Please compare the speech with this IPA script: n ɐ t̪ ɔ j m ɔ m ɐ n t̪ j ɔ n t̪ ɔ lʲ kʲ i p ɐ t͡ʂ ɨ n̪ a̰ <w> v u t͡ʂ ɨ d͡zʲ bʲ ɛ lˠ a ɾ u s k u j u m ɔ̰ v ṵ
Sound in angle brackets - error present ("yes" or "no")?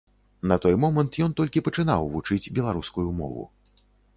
no